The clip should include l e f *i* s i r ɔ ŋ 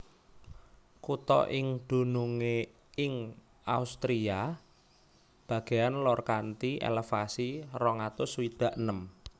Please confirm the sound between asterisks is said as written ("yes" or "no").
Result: no